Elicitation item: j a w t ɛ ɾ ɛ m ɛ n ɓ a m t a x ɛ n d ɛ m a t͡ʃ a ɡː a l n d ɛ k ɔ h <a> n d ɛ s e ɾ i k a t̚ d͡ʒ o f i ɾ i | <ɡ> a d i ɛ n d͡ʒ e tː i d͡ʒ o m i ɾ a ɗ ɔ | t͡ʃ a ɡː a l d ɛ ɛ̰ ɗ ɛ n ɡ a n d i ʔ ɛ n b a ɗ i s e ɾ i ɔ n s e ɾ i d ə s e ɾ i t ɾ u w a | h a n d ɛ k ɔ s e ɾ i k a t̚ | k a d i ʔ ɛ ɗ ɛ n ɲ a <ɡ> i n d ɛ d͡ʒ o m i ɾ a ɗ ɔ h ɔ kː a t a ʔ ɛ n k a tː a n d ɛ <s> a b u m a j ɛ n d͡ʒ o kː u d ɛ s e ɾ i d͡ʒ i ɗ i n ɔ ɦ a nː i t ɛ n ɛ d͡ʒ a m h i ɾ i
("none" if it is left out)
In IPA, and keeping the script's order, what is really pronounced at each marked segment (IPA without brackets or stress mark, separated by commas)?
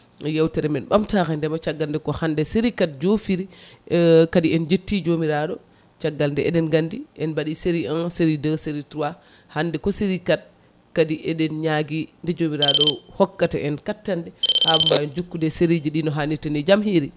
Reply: a, k, ɡ, h